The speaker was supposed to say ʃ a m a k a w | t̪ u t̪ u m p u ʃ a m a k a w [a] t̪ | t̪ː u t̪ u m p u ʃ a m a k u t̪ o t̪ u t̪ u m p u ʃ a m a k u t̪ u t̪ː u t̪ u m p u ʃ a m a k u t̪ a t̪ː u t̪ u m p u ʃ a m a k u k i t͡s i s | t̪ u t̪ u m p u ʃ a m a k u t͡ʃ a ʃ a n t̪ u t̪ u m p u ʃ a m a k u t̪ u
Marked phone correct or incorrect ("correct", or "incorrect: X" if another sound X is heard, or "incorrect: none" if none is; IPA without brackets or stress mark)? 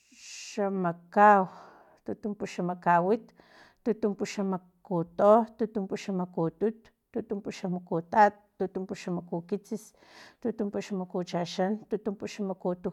incorrect: i